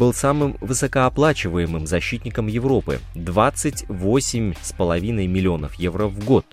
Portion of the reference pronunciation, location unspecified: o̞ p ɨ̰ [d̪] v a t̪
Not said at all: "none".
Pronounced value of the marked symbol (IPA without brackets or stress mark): d̪